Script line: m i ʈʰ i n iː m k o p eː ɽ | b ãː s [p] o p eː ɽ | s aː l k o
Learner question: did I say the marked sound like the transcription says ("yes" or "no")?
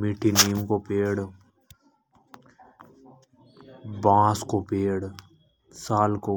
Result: no